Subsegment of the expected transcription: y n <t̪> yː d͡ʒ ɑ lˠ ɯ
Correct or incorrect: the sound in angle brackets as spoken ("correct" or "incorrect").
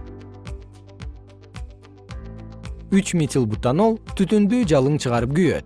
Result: incorrect